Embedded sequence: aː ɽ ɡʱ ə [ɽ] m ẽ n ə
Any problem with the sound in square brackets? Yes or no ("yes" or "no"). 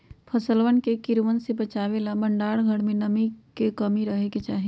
no